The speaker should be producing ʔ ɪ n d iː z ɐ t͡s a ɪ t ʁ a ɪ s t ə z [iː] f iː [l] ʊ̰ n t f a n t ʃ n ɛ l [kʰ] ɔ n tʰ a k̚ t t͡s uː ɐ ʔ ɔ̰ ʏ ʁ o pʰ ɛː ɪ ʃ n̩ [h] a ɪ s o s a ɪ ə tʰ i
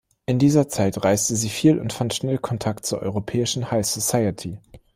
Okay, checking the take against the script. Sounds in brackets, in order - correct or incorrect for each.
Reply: correct, correct, correct, correct

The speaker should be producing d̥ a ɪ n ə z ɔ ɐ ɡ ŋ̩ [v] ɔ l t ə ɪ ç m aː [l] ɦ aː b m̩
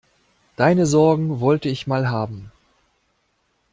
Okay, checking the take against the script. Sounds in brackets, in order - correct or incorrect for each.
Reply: correct, correct

